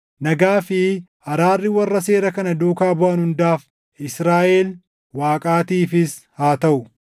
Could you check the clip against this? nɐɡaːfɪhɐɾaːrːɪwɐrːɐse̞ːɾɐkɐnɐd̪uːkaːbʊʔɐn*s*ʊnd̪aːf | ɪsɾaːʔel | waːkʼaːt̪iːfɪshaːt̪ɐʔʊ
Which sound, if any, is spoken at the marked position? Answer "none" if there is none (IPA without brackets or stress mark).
h